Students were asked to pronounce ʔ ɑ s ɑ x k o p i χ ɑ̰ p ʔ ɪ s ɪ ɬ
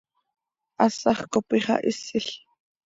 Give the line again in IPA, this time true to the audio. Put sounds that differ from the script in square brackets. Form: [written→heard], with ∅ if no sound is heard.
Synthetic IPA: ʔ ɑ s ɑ [x→χ] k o p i χ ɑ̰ [p→∅] ʔ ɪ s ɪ ɬ